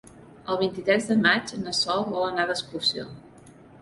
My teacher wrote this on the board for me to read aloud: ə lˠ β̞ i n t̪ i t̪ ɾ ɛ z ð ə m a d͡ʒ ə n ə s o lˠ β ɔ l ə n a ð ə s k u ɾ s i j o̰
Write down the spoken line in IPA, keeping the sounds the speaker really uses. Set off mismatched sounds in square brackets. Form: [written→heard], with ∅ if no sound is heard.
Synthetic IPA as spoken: ə lˠ β̞ i n t̪ i t̪ ɾ ɛ z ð ə m a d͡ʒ ə n ə s [o→ɔ] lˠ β ɔ l ə n a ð ə s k u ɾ s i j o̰